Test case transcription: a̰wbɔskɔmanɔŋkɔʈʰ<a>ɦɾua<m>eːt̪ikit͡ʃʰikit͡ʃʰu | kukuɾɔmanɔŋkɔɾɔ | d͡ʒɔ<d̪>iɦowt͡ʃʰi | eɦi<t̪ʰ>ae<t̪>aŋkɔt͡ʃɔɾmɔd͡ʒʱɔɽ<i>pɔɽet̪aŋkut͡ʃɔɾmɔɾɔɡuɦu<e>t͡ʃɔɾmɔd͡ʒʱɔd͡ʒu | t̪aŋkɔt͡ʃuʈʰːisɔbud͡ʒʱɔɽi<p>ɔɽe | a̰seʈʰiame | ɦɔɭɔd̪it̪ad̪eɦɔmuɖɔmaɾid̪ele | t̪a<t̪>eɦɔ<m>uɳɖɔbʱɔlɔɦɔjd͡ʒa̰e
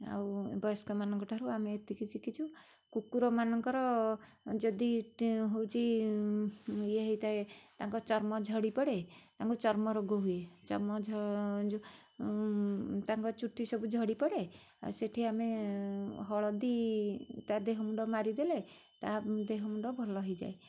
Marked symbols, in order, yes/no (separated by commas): yes, yes, yes, no, yes, yes, yes, yes, no, yes